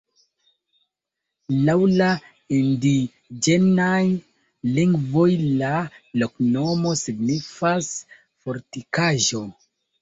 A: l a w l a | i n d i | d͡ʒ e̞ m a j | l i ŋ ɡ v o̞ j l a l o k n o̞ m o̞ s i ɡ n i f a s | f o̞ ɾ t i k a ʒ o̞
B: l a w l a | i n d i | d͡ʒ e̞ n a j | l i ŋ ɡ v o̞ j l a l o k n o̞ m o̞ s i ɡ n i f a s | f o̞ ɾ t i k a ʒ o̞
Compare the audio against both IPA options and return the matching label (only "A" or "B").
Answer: B